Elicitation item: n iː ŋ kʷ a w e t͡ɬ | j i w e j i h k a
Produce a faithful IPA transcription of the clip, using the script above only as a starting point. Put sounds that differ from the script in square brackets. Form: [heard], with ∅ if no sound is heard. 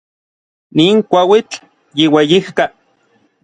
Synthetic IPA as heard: n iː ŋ kʷ a w [i] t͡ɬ | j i w e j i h k a